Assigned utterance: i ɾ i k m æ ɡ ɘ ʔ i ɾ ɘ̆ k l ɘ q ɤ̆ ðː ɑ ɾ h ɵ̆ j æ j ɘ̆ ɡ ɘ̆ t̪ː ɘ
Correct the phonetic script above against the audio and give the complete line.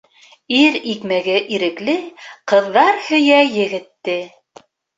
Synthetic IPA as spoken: i ɾ i k m æ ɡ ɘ ʔ i ɾ ɘ̆ k l ɘ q ɤ̆ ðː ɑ ɾ h ɵ̆ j æ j ɘ̆ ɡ ɘ̆ t̪ː ɘ